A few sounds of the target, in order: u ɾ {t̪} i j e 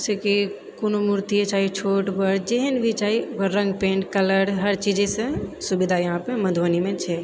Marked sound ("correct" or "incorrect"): correct